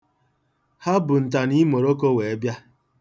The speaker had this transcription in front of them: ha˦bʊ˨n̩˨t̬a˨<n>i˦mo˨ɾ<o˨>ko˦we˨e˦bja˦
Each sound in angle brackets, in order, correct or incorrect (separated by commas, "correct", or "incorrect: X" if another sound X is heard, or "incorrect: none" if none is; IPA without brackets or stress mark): correct, incorrect: o˦